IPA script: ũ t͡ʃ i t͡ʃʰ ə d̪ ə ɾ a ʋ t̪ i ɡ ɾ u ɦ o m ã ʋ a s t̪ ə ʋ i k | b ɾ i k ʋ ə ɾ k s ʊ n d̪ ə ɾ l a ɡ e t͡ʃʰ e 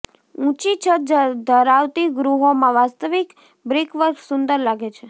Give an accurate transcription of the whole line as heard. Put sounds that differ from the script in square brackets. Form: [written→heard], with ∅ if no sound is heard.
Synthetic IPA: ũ t͡ʃ i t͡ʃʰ ə d̪ ə ɾ a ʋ t̪ i ɡ ɾ u ɦ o m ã ʋ a s t̪ ə ʋ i k | b ɾ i k ʋ ə ɾ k s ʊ n d̪ ə ɾ l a ɡ e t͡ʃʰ e